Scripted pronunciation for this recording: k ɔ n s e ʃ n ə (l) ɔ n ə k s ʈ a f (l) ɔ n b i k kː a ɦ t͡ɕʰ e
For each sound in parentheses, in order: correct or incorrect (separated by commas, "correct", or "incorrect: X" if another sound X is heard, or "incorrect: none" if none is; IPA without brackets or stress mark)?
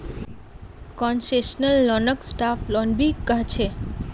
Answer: incorrect: lː, correct